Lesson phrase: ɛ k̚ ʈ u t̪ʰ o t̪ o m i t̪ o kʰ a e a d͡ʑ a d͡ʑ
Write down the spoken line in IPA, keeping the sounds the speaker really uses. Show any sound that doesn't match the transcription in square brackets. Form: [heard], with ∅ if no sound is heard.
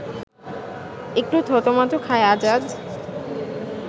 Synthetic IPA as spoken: [e] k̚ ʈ u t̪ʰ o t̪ o m [a] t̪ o kʰ a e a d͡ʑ a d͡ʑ